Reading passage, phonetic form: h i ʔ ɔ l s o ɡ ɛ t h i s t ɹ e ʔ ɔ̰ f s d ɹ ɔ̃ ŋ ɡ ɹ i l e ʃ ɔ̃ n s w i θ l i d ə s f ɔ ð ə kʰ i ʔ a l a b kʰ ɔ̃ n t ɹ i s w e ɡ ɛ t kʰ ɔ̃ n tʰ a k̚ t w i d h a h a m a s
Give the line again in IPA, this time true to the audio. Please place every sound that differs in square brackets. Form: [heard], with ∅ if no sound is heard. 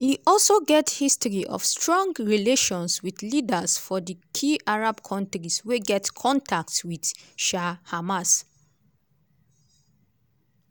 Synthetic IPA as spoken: h i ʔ ɔ l s o ɡ ɛ t h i s t ɹ [i] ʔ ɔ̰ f s [t] ɹ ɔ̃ ŋ ɡ ɹ i l e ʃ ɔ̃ n s w i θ l i d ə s f ɔ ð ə kʰ i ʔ a [ɹ] a b kʰ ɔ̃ n t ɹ i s w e ɡ ɛ t kʰ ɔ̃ n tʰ a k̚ t w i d [ʃ] a h a m a s